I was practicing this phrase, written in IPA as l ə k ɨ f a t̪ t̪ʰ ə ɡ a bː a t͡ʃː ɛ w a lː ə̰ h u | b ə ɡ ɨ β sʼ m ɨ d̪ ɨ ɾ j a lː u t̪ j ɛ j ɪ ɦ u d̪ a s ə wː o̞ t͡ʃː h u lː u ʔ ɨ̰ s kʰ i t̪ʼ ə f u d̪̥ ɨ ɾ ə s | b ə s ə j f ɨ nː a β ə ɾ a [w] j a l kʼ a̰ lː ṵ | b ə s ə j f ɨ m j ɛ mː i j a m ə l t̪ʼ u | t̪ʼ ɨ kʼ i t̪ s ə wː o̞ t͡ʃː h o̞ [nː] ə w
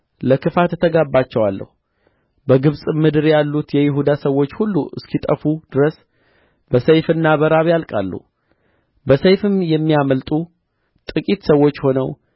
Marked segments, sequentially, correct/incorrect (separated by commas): incorrect, incorrect